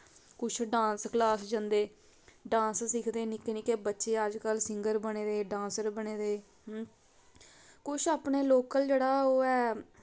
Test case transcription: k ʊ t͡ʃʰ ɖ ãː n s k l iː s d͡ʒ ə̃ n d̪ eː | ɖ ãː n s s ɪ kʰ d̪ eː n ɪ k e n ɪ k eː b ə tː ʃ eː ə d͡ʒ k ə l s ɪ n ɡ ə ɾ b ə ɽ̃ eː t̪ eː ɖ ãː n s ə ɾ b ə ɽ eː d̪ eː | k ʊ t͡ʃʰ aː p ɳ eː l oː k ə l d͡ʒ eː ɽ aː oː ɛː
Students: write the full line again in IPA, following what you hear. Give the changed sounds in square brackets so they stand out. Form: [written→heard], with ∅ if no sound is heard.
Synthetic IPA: k ʊ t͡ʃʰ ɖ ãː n s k l [iː→aː] s d͡ʒ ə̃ n d̪ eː | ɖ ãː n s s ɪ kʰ d̪ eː n ɪ k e n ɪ k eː b ə tː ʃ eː ə d͡ʒ k ə l s ɪ [n→ŋ] ɡ ə ɾ b ə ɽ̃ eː [t̪→d̪] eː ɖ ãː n s ə ɾ b ə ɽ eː d̪ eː | k ʊ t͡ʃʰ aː p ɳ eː l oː k ə l d͡ʒ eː ɽ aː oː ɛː